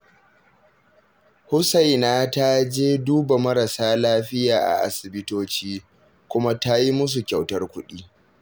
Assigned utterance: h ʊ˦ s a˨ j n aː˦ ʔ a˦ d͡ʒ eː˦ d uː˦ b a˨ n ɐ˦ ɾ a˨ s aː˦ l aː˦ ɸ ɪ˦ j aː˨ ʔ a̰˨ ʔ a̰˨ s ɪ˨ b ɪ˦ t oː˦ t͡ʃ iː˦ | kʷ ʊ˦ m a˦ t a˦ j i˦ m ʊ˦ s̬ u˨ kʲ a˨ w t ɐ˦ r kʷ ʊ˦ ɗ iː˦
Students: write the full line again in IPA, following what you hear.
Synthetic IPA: h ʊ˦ s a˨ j n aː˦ t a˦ d͡ʒ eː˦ d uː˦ b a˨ m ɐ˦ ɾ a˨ s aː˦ l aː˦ ɸ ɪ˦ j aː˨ ʔ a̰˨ ʔ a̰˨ s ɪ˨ b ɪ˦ t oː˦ t͡ʃ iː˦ | kʷ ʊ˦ m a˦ t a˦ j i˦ m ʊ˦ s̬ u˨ kʲ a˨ w t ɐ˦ r kʷ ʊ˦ ɗ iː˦